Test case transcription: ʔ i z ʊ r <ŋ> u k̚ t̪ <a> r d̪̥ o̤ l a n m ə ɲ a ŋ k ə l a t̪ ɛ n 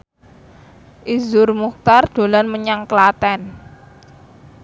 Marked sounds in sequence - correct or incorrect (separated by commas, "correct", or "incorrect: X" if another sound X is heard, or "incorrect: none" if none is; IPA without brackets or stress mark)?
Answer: incorrect: m, correct